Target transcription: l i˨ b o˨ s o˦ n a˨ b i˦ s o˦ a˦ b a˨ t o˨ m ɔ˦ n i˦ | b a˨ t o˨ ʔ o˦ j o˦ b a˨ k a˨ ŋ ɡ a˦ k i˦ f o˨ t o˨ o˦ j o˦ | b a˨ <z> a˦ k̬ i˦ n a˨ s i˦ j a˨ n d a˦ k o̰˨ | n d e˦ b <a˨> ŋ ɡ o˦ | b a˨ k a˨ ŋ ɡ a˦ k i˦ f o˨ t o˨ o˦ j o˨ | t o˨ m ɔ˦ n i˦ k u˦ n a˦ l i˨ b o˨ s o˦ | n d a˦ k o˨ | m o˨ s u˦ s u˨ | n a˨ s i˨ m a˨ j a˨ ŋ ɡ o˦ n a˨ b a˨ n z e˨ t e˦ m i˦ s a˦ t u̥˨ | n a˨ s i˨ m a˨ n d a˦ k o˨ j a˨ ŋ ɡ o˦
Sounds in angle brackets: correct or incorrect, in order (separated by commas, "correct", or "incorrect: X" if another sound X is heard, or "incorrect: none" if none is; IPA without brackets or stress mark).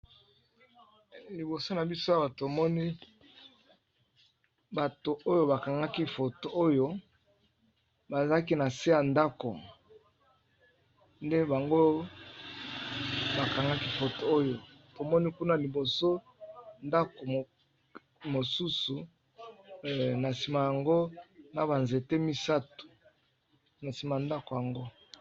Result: correct, correct